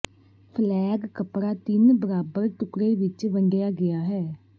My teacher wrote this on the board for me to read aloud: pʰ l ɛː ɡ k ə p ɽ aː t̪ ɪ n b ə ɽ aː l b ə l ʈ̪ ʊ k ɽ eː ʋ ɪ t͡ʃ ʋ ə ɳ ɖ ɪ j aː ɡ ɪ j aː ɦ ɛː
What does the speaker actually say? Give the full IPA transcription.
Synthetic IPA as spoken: pʰ l ɛː ɡ k ə p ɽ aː t̪ ɪ n b ə ɾ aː b ə ɾ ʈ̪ ʊ k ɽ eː ʋ ɪ t͡ʃ ʋ ə ɳ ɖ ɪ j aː ɡ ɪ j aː ɦ ɛː